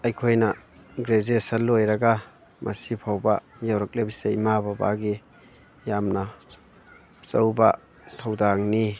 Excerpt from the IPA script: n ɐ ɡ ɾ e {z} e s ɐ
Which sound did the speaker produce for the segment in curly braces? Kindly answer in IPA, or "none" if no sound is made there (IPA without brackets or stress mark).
z